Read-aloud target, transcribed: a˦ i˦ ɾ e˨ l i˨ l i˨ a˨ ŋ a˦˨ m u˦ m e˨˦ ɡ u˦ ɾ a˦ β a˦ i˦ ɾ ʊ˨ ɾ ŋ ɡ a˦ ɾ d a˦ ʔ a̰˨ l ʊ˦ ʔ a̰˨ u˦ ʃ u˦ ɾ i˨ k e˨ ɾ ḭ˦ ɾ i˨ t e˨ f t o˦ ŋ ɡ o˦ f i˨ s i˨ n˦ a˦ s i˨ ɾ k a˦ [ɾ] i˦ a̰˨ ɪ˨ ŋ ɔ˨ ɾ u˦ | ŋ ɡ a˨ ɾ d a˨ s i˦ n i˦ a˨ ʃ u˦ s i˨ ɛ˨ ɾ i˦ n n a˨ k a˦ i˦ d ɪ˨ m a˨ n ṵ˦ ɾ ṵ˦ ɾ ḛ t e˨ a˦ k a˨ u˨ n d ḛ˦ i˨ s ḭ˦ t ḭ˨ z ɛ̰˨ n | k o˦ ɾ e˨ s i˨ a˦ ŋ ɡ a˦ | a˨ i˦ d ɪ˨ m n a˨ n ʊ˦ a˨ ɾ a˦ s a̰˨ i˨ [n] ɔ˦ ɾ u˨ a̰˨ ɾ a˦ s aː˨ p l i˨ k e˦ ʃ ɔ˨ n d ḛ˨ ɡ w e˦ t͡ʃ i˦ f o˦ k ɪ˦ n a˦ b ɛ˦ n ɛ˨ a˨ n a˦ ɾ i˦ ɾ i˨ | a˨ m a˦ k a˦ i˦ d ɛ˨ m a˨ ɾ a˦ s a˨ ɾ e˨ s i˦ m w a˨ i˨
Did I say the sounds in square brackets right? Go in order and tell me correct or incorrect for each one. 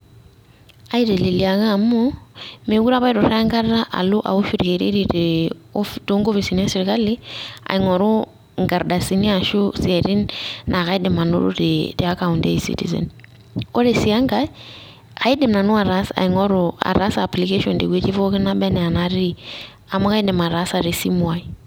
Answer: incorrect: l, incorrect: ŋ

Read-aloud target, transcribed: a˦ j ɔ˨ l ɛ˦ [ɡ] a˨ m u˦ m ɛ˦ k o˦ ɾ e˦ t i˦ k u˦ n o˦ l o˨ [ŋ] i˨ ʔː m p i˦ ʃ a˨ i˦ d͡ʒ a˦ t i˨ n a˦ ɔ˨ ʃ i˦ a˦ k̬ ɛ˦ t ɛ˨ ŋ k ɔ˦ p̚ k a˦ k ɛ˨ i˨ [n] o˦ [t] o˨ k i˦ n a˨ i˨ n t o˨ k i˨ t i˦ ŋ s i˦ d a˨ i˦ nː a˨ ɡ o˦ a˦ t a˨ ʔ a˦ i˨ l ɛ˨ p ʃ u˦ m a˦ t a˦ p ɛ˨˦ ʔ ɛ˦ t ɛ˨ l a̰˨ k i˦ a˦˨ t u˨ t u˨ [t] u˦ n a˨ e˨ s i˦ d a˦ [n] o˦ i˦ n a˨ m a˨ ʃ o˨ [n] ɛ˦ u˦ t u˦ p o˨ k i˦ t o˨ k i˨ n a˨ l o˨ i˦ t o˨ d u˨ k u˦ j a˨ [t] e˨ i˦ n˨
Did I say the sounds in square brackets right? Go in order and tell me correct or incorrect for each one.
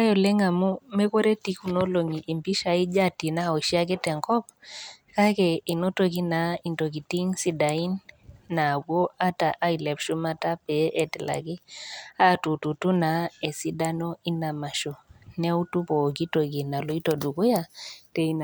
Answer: incorrect: ŋ, correct, correct, correct, correct, correct, correct, correct

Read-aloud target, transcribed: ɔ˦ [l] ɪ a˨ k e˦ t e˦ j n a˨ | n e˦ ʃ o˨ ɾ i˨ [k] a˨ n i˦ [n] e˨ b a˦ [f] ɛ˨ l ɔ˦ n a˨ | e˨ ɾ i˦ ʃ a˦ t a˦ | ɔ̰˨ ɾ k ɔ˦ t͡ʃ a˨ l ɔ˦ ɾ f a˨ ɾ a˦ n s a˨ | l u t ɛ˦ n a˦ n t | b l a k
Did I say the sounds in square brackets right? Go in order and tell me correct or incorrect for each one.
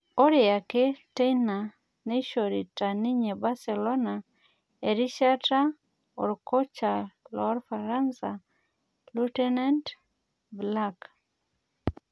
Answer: incorrect: ɾ, incorrect: t, incorrect: ɲ, incorrect: s

